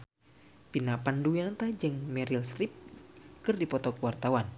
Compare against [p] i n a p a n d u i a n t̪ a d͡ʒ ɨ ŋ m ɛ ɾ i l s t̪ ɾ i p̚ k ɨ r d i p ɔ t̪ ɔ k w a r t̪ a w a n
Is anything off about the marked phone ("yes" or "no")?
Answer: no